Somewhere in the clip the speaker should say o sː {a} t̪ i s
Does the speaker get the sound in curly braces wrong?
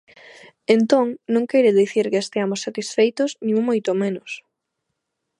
no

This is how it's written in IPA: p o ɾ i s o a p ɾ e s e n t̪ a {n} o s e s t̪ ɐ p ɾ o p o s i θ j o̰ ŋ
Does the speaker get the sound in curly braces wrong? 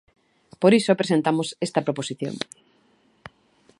yes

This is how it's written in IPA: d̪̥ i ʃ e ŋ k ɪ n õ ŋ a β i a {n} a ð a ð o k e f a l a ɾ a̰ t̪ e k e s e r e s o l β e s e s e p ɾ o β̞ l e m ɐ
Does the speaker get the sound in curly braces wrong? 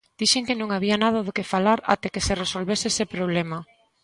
no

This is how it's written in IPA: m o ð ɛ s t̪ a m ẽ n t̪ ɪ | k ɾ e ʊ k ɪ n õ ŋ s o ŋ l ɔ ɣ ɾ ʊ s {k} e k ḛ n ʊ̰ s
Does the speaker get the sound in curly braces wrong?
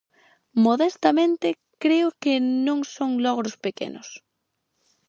yes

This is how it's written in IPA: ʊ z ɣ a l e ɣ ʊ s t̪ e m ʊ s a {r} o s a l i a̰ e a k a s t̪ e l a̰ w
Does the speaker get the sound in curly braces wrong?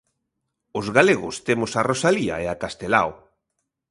no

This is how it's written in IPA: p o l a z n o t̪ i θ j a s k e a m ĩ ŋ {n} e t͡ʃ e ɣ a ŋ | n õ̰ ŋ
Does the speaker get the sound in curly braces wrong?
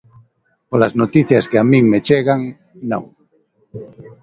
yes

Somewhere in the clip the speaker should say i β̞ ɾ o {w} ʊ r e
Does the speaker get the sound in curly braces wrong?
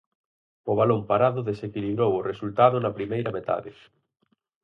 no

